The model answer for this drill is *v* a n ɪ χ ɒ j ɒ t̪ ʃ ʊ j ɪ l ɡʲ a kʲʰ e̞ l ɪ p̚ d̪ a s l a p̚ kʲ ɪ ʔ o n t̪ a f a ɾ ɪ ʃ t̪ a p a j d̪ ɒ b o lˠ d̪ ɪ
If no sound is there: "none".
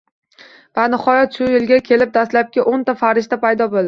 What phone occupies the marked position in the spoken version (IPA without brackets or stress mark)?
v